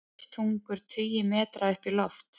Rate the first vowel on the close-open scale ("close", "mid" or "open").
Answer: close